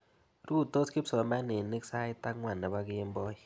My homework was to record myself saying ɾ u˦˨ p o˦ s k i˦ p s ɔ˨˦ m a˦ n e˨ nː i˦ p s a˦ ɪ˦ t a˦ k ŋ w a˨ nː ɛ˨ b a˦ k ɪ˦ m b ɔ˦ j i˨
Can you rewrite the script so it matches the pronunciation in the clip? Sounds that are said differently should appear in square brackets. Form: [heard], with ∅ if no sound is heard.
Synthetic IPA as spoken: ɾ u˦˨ [t] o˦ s k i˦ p s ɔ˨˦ m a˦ n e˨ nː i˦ [k] s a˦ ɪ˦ t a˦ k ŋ w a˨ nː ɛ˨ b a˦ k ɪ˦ m b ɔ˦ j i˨